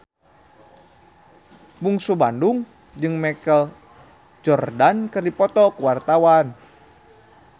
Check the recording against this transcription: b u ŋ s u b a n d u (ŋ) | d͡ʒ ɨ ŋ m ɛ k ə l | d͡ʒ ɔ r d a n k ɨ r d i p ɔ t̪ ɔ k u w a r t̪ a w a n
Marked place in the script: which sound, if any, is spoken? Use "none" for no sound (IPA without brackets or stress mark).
ŋ